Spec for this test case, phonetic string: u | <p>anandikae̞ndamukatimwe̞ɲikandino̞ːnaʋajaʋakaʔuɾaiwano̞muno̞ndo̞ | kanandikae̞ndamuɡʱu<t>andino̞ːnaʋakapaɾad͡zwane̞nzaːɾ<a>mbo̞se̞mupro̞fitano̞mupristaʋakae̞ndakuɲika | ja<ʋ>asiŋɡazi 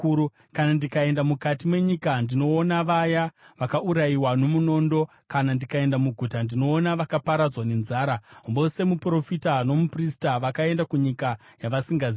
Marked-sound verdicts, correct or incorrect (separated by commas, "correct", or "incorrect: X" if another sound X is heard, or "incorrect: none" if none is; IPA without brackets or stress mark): incorrect: k, correct, correct, correct